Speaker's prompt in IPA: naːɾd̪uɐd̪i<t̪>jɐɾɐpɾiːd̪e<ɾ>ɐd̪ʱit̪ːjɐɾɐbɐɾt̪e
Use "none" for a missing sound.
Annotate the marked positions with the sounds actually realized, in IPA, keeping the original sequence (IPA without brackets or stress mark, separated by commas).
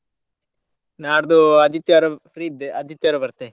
t̪, none